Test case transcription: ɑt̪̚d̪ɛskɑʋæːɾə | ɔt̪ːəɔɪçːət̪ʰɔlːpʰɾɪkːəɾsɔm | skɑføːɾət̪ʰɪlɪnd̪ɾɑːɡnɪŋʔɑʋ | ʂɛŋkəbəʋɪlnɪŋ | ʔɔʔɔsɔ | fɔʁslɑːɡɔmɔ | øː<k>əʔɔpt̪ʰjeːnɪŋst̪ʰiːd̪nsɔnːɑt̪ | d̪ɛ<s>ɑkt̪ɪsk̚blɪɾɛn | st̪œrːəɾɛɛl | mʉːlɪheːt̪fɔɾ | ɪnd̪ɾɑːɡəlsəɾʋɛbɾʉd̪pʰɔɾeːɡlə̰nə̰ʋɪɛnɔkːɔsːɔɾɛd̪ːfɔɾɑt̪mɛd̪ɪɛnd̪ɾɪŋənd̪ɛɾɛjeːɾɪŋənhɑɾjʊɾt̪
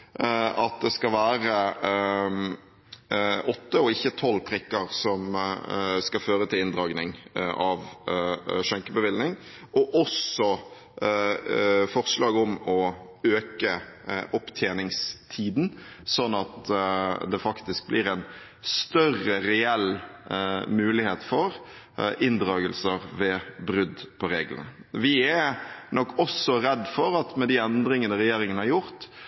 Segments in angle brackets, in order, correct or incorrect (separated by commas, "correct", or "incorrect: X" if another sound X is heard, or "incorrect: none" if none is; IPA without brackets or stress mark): correct, incorrect: f